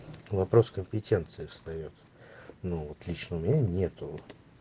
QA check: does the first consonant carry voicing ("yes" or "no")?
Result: yes